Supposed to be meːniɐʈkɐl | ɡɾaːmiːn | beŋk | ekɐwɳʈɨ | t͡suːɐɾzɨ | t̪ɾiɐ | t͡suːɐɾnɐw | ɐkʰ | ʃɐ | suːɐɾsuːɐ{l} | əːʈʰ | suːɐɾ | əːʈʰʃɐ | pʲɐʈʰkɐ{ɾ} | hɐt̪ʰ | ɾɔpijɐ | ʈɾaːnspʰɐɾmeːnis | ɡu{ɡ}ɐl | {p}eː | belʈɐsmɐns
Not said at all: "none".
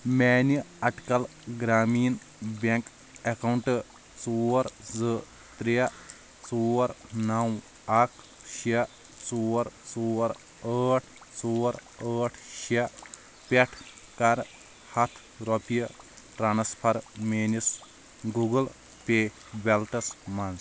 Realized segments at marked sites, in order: ɾ, ɾ, ɡ, p

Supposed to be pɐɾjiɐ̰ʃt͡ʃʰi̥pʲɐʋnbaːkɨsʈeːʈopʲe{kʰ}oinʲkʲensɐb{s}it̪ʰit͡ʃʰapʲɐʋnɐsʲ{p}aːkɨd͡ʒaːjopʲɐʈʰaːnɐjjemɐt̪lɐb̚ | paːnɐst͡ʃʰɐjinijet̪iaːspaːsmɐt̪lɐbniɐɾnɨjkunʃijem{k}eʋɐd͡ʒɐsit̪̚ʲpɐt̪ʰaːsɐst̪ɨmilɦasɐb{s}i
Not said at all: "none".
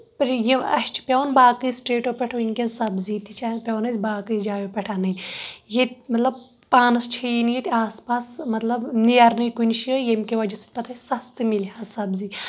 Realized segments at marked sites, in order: ʈʰ, z, b, k, z

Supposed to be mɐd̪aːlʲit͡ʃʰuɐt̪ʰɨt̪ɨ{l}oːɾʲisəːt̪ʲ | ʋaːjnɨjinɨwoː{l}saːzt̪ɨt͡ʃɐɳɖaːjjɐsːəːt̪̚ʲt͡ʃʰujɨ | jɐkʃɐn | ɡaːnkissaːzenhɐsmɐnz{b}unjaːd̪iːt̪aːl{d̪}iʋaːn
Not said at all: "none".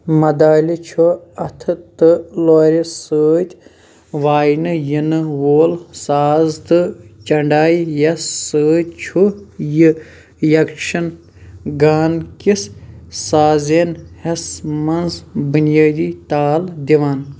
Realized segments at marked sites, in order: l, l, b, d̪

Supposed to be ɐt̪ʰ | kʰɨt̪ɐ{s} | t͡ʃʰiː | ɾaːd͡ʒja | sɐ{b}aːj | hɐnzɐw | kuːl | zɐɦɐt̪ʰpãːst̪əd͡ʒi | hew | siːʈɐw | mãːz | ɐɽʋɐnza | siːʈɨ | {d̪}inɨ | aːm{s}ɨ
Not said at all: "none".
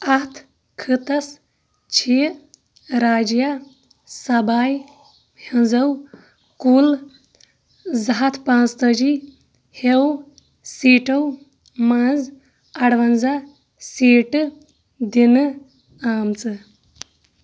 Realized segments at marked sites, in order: s, b, d̪, t͡s

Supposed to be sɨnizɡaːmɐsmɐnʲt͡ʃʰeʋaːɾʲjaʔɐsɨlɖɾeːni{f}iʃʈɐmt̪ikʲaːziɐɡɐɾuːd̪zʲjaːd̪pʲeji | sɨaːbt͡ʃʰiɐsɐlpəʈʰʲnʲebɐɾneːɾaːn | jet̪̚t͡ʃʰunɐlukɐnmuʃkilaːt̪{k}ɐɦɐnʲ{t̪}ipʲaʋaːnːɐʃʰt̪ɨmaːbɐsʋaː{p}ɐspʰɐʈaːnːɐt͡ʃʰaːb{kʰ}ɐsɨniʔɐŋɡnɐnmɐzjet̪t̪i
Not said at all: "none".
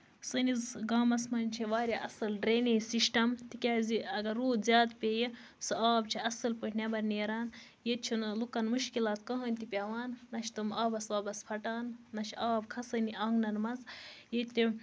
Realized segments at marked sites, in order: s, k, t̪, b, kʰ

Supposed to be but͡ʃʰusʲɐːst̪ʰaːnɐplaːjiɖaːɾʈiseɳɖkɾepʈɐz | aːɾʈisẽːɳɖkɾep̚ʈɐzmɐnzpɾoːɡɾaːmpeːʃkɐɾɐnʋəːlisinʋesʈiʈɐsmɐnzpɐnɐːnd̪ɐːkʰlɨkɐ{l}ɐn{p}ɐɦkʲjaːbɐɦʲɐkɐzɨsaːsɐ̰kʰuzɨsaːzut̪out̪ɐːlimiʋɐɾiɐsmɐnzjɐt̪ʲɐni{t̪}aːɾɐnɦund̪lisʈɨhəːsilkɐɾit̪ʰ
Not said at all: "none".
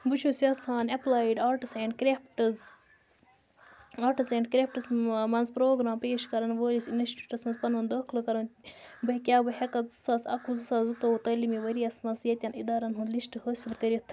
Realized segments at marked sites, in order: ɾ, b, d̪

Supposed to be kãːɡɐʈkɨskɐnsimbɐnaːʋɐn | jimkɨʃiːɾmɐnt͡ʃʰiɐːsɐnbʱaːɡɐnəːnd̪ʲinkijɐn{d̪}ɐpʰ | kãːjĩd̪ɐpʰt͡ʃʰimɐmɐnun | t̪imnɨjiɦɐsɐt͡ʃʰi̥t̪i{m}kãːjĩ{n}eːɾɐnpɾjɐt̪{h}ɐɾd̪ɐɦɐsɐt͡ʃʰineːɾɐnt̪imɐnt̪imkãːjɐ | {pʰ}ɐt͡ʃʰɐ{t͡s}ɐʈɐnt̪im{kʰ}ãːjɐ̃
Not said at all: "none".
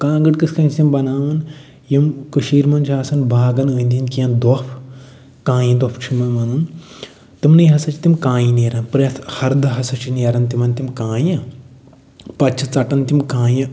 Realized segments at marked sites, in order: d̪, m, n, h, p, t͡s, k

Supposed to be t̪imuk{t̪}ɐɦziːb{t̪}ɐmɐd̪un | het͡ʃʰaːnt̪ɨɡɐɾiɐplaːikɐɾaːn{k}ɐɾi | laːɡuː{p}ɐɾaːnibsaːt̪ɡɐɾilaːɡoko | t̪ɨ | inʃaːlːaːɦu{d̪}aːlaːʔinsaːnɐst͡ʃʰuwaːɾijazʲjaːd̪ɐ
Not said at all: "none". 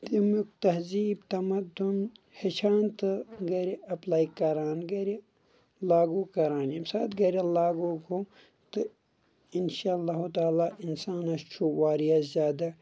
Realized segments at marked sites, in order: t̪, t̪, ɡ, k, t̪

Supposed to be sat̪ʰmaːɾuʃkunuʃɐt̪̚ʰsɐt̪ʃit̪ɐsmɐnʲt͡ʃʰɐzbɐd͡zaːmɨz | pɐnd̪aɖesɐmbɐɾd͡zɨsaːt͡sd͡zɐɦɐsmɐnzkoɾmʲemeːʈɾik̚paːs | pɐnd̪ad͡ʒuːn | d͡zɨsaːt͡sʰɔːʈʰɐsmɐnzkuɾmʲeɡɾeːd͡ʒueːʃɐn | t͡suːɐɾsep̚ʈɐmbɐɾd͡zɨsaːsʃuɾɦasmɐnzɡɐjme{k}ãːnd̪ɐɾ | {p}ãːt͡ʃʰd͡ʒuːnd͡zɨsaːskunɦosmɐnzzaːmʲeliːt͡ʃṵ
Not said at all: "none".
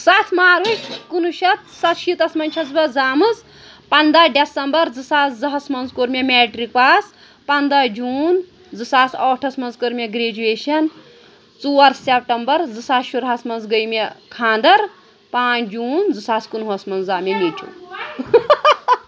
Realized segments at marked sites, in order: kʰ, p

